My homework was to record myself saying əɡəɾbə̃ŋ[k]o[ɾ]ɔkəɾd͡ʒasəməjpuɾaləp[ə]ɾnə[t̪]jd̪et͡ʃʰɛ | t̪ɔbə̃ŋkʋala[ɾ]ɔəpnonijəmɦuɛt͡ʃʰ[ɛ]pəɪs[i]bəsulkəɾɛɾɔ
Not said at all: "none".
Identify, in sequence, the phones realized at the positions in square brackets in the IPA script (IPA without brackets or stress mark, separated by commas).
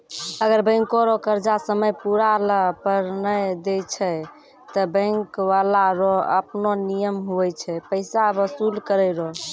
k, ɾ, ə, none, ɾ, ɛ, a